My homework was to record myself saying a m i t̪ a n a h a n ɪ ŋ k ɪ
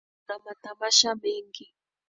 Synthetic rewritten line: a m a t̪ a m a ʃ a m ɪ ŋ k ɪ